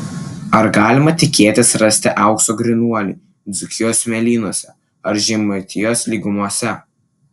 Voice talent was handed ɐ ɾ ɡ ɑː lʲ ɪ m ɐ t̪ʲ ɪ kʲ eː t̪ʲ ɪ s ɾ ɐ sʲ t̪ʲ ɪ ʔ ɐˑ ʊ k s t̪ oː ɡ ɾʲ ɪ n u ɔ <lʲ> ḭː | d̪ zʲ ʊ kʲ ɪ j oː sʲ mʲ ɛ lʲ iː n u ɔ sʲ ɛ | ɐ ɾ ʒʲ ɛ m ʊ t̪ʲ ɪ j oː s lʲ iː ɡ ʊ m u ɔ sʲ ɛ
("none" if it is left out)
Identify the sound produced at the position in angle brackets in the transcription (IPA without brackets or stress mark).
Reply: lʲ